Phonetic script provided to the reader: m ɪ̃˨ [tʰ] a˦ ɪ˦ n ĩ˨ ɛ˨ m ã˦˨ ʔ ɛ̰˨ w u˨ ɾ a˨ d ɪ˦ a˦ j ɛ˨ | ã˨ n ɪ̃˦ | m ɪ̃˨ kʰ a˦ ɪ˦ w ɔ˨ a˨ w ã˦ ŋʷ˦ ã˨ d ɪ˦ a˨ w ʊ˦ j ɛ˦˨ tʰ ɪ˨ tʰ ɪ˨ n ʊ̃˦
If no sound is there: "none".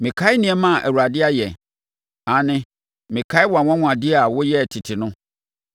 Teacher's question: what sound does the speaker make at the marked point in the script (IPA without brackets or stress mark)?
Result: kʰ